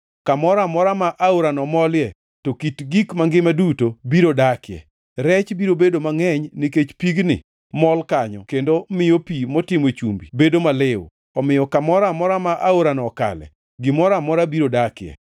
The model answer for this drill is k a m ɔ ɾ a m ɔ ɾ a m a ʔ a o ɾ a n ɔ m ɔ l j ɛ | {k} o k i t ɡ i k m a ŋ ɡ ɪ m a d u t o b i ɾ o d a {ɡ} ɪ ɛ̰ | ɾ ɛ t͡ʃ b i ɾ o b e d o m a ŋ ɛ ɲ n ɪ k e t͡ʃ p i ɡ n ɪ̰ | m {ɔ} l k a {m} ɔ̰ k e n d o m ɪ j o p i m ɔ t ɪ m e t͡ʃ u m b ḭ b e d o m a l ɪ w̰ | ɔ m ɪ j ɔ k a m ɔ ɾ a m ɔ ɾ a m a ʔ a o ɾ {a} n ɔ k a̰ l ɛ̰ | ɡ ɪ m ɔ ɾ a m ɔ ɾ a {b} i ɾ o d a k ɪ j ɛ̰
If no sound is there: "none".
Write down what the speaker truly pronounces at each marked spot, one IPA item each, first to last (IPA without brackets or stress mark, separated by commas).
t, k, ɔ, ɲ, a, b